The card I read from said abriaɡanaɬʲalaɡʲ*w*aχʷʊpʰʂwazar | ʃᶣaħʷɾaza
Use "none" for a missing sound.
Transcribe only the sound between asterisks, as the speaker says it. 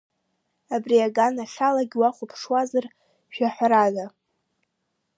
w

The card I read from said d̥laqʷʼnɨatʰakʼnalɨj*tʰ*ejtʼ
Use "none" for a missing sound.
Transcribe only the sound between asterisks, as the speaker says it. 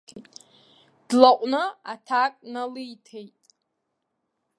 tʰ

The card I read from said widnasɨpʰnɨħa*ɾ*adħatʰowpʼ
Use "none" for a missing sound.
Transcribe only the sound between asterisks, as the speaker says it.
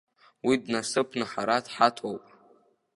ɾ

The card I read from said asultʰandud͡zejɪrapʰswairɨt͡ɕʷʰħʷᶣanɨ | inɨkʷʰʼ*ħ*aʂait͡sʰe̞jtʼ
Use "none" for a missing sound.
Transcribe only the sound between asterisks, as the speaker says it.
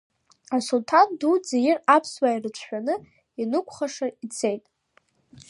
χ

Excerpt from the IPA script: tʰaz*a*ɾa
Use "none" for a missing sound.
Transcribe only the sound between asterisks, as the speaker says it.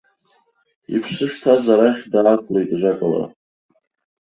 a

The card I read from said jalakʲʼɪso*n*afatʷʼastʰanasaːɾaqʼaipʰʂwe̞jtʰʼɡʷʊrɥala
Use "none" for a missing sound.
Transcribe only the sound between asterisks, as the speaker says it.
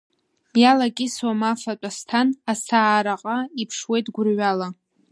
m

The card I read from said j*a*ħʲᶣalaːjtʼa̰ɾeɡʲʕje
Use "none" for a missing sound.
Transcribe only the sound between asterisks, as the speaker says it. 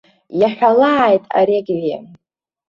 a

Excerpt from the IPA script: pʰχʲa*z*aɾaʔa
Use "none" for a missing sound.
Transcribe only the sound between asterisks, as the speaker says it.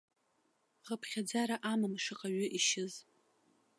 d͡z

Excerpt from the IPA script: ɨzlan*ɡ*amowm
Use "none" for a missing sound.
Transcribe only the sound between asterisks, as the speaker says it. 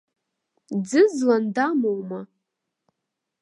d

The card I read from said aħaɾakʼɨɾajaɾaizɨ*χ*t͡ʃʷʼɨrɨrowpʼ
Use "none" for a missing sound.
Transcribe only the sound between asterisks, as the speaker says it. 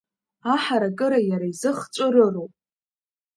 χ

